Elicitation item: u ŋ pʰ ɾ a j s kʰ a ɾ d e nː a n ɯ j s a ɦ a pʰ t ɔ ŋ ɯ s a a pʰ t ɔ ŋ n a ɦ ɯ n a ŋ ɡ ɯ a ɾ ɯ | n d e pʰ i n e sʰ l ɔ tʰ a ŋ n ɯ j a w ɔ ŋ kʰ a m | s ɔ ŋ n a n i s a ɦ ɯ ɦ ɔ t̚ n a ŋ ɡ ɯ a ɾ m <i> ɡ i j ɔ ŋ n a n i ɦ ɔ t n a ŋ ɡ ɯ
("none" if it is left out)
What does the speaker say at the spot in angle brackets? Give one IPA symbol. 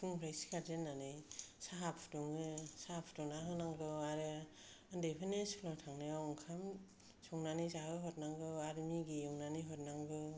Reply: i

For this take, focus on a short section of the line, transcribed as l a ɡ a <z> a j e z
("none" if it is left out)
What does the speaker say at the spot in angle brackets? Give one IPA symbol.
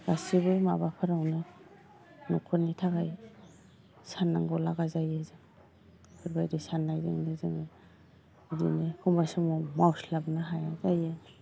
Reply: z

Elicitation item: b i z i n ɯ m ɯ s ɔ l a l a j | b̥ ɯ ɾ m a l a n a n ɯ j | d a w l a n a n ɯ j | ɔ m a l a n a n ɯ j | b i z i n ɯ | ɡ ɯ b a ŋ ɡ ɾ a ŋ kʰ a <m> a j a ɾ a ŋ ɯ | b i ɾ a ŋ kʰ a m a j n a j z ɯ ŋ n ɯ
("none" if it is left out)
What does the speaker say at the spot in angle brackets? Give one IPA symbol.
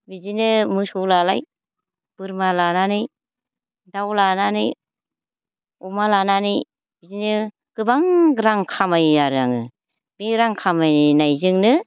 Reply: m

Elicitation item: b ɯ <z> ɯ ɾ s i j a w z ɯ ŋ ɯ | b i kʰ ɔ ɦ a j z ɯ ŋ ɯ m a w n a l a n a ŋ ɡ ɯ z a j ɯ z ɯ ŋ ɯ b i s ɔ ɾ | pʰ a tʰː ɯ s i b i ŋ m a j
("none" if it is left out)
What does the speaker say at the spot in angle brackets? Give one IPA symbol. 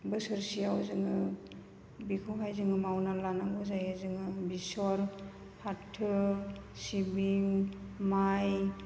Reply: s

